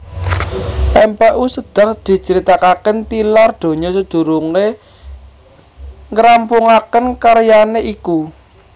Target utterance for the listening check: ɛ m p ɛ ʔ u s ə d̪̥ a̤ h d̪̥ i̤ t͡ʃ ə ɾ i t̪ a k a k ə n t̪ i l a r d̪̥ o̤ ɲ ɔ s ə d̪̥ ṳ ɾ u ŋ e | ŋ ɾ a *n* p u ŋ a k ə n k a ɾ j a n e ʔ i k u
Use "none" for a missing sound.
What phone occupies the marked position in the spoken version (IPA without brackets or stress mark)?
m